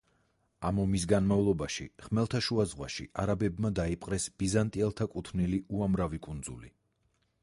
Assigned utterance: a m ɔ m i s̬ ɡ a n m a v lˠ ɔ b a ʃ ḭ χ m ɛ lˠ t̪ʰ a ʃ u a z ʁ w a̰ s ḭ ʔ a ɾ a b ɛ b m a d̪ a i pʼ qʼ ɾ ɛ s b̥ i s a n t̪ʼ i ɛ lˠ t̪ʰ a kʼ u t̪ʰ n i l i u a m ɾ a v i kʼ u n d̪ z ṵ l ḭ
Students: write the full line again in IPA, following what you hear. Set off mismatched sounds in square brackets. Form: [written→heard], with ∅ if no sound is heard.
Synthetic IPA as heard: a m ɔ m i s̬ ɡ a n m a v lˠ ɔ b a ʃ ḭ χ m ɛ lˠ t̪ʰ a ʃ u a z ʁ w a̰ [s→ʃ] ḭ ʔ a ɾ a b ɛ b m a d̪ a i pʼ qʼ ɾ ɛ s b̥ i [s→z] a n t̪ʼ i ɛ lˠ t̪ʰ a kʼ u t̪ʰ n i l i u a m ɾ a v i kʼ u n d̪ z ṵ l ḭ